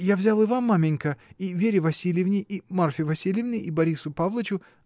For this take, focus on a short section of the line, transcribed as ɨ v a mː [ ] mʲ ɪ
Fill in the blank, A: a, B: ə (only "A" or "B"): A